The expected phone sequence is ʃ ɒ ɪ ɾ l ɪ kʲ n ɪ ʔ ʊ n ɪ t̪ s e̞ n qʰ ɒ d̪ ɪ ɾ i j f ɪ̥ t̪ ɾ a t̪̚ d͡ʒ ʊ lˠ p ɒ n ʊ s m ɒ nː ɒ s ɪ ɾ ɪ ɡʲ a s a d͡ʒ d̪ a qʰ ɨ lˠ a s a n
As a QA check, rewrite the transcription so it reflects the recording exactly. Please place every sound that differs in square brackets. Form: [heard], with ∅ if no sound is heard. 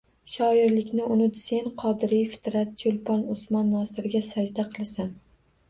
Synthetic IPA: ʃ ɒ ɪ ɾ l ɪ kʲ n ɪ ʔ ʊ n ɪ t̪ s e̞ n qʰ ɒ d̪ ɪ ɾ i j f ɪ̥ t̪ ɾ a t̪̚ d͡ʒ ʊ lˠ p ɒ n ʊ s m ɒ nː ɒ s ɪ ɾ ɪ ɡʲ a s a d͡ʒ d̪ a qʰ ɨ lˠ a s a n